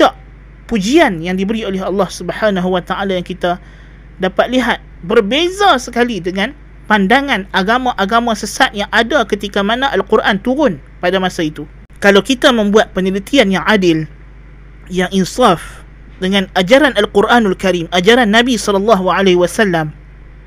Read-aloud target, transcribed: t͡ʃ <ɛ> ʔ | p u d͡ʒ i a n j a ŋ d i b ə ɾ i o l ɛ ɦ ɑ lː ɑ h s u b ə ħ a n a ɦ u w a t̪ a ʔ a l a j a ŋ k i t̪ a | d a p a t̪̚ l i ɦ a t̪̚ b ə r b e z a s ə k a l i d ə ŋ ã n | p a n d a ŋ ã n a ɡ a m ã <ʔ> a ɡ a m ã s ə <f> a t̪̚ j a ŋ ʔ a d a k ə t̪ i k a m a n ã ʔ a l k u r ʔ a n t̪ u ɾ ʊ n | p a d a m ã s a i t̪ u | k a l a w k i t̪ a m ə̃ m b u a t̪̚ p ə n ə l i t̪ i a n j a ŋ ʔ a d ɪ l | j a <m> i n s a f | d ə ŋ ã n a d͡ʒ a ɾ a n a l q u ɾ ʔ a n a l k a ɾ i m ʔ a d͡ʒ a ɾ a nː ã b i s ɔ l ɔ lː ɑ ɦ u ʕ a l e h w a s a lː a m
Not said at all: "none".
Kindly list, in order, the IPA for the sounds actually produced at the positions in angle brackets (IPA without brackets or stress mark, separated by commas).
a, ʔ, s, ŋ